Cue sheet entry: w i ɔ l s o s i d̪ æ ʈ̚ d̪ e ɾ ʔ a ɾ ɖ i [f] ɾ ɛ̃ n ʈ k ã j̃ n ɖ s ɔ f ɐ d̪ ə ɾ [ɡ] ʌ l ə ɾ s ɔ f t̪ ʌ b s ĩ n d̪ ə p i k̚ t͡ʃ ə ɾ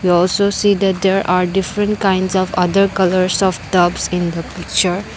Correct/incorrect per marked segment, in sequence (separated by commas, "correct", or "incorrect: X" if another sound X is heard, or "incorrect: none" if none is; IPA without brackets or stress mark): correct, incorrect: k